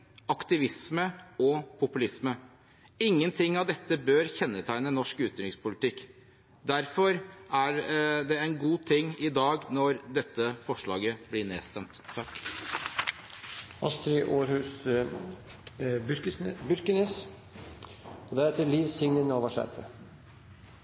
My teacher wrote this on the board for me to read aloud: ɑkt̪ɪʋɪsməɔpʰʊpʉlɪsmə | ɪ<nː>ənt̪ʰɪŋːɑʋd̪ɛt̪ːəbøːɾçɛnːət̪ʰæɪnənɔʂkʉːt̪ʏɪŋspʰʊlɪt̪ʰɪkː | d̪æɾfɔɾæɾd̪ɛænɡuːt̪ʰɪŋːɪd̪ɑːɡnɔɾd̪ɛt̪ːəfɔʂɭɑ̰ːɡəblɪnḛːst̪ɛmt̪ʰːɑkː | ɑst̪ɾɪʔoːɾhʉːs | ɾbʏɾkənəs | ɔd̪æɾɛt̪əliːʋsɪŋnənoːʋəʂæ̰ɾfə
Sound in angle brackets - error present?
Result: yes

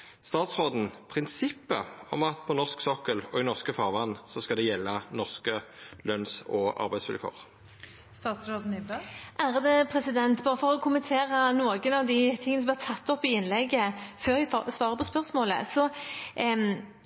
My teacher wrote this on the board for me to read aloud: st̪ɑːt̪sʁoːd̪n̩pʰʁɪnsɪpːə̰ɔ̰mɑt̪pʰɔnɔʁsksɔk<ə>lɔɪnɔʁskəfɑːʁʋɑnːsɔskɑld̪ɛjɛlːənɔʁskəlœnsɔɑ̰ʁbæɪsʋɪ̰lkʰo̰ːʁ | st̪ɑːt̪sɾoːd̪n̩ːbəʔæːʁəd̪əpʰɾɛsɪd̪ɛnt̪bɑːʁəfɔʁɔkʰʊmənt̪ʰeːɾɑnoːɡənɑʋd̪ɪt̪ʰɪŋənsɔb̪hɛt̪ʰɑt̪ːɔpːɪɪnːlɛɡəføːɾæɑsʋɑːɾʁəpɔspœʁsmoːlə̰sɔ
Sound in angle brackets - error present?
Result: no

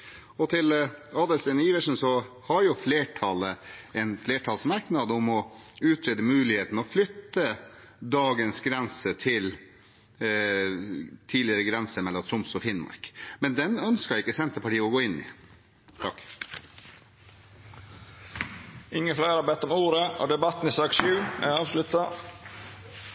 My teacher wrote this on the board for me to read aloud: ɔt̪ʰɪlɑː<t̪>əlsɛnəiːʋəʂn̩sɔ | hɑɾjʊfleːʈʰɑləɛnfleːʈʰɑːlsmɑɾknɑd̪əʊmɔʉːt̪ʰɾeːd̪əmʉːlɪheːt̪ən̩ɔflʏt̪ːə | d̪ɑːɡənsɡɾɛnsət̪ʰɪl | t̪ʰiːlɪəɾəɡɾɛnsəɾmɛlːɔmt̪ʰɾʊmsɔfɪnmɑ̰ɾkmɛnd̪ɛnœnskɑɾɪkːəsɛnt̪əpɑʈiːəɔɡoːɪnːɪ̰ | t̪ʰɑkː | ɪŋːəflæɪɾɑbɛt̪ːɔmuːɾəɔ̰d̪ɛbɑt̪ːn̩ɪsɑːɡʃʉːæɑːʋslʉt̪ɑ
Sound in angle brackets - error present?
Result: yes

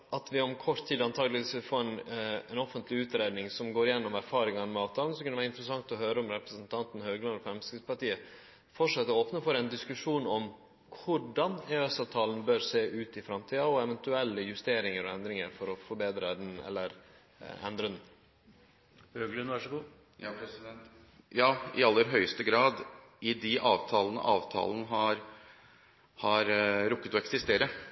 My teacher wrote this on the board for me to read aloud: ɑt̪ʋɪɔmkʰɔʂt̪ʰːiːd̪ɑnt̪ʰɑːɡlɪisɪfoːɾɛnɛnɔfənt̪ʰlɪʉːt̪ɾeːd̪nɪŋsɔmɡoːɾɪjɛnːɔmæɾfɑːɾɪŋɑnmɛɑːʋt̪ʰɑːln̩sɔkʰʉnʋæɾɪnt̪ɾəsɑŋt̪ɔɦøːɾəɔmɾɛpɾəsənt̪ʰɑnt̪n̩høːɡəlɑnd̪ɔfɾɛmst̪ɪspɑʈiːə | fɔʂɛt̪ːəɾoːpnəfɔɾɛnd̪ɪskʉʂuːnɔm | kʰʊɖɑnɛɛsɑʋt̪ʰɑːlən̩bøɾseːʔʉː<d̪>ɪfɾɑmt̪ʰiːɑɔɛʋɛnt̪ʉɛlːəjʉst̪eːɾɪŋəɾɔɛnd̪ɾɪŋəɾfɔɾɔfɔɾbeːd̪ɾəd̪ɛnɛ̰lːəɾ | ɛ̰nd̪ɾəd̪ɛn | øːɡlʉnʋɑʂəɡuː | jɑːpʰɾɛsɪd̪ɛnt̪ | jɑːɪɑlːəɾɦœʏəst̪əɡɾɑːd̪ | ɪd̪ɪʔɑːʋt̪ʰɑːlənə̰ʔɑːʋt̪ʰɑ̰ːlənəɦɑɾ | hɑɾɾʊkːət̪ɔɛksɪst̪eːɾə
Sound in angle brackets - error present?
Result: yes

